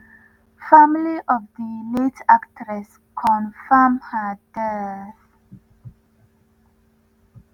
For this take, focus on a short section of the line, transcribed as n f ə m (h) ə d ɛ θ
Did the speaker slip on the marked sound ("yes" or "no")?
no